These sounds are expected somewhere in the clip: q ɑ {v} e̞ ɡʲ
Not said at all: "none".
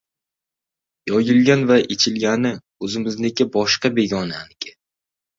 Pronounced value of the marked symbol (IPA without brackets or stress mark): b